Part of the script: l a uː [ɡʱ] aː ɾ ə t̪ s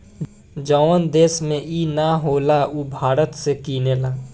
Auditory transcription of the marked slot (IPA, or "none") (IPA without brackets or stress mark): bʱ